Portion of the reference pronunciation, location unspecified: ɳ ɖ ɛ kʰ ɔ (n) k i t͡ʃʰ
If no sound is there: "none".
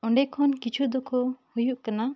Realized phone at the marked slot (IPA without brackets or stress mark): n